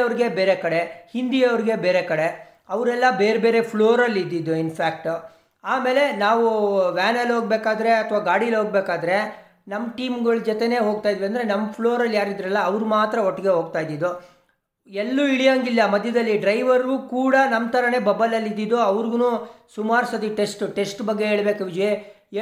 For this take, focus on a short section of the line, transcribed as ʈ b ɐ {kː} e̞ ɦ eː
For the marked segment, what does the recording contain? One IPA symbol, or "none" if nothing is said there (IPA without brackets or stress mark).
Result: ɡː